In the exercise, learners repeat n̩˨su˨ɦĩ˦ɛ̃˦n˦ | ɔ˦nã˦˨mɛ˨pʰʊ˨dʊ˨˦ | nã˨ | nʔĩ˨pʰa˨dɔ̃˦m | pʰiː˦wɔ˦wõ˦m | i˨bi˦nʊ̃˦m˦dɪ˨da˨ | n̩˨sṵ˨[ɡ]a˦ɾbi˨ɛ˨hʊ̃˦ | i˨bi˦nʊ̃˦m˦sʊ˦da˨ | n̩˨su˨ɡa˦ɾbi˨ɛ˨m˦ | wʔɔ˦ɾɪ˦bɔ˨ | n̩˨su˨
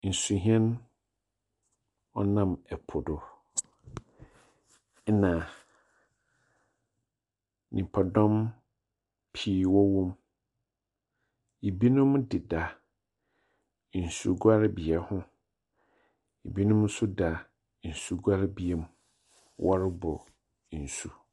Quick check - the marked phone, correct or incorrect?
correct